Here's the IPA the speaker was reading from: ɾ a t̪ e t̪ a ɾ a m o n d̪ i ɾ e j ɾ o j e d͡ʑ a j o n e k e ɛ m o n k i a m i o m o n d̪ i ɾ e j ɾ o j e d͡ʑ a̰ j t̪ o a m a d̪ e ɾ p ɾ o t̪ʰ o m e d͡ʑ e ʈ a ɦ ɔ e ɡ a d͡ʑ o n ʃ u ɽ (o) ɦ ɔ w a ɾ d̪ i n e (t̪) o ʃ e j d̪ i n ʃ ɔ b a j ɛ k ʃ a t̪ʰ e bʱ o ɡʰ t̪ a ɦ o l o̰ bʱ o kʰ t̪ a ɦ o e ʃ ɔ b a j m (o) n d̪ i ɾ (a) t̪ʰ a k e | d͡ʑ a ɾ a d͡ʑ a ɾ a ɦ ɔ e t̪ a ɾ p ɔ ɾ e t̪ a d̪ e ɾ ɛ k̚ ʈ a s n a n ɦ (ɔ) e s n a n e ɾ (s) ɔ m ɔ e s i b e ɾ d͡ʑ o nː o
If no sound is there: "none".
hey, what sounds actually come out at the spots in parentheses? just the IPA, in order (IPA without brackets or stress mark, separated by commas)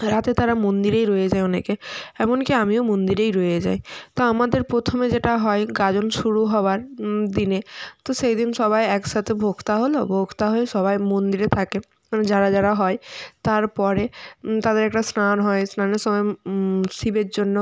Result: u, t̪, o, e, ɔ, ʃ